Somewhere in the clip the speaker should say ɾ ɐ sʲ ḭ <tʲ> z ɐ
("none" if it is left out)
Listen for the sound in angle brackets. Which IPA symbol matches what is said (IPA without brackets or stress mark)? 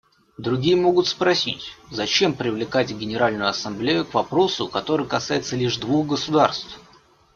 tʲ